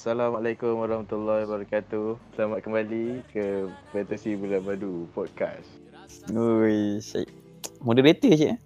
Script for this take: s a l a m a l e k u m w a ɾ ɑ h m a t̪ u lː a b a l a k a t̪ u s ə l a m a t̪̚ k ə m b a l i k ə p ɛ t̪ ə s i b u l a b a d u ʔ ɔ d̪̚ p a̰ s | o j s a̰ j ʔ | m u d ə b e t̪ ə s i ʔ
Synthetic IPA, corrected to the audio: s a l a m a l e k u m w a ɾ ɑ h m a t̪ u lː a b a ɾ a k a t̪ u s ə l a m a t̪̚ k ə m b a l i k ə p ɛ t̪ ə s i b u l a b a d u p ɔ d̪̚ k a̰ s | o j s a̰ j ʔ | m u d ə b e t̪ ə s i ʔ